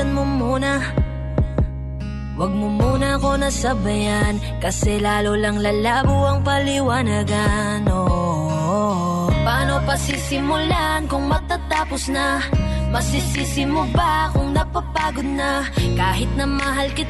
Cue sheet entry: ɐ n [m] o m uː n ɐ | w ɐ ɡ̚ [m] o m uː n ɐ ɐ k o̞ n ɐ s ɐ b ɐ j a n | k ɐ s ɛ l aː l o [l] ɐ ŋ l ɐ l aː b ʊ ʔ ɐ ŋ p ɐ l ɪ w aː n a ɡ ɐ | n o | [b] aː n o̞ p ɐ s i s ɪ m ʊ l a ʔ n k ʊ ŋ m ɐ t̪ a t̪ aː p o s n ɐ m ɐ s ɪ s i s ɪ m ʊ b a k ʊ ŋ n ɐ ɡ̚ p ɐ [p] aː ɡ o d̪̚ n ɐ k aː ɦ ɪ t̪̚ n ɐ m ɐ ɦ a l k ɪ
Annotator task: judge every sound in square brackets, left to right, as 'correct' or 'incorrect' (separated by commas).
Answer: correct, correct, correct, incorrect, correct